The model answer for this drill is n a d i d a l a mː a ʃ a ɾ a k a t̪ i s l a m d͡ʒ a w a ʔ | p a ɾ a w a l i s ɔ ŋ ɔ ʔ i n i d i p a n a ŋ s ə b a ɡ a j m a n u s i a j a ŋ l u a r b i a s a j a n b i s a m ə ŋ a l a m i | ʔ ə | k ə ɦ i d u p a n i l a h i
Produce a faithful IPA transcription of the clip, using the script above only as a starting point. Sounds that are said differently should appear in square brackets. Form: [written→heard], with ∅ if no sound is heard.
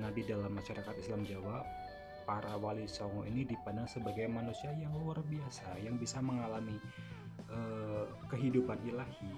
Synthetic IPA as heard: n a d i d a l a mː a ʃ a ɾ a k a t̪ i s l a m d͡ʒ a w a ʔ | p a ɾ a w a l i s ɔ ŋ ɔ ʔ i n i d i p a n a ŋ s ə b a ɡ a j m a n u s i a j a ŋ l u a r b i a s a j a [n→ŋ] b i s a m ə ŋ a l a m i | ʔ ə | k ə ɦ i d u p a n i l a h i